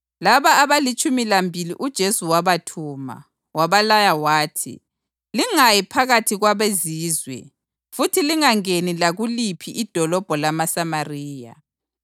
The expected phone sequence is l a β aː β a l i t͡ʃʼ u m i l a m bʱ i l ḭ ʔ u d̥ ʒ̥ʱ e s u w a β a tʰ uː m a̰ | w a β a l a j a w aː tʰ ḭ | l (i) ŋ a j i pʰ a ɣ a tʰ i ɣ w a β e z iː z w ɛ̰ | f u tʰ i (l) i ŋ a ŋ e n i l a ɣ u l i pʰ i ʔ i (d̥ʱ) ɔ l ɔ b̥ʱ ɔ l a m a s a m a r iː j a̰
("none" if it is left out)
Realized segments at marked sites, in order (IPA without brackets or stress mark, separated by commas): i, l, d̥ʱ